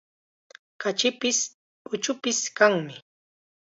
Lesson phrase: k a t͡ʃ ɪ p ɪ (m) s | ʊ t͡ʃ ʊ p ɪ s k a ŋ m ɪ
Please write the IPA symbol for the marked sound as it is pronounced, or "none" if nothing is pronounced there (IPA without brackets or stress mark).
none